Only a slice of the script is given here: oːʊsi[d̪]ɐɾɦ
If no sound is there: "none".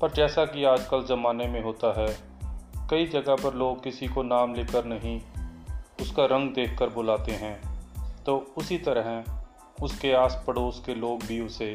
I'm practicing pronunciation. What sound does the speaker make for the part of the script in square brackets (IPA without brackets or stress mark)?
t̪